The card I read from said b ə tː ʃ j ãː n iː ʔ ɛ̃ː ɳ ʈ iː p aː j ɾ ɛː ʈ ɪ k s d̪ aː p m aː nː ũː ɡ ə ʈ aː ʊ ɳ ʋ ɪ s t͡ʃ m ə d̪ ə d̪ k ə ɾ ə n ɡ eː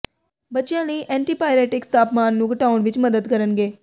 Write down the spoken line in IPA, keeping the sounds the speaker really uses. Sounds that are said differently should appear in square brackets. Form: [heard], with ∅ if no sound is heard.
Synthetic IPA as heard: b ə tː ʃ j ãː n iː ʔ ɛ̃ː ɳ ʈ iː p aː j ɾ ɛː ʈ ɪ k s [t̪] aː p m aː nː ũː ɡ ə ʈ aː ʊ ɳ ʋ ɪ [∅] t͡ʃ m ə d̪ ə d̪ k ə ɾ ə n ɡ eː